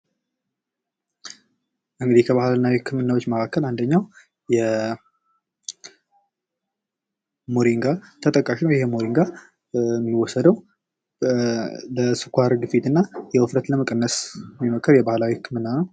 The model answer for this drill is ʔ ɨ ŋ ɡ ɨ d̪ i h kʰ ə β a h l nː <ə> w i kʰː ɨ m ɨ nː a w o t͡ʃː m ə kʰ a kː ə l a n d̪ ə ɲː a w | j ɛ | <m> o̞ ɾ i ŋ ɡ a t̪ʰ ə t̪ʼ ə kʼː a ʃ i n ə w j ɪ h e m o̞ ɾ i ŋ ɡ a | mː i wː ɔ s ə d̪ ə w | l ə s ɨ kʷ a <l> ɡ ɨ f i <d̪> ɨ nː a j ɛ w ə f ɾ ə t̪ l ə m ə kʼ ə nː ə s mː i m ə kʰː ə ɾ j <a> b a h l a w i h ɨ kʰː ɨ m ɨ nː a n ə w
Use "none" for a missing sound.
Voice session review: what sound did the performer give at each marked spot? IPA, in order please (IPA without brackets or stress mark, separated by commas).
a, m, ɾ, t̪, ɛ